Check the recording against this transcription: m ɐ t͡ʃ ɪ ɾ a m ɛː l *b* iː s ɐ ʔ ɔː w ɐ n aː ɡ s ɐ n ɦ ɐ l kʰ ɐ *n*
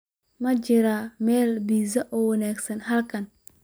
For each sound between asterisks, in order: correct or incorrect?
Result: correct, correct

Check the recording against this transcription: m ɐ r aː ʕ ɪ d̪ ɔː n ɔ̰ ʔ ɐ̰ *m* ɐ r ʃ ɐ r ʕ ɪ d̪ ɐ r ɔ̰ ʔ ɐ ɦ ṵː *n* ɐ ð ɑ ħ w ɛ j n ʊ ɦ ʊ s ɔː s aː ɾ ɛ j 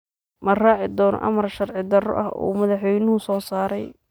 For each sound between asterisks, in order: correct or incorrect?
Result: correct, incorrect

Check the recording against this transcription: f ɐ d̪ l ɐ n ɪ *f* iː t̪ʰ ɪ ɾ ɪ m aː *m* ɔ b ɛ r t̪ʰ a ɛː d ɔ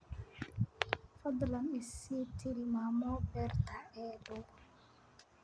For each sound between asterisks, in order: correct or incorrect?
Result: incorrect, correct

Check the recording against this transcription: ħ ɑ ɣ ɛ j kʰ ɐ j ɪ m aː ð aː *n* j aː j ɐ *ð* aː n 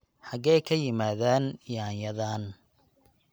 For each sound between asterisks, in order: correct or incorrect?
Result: correct, correct

